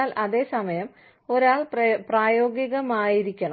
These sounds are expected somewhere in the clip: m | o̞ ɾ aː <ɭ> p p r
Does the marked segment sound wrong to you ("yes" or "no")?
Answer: no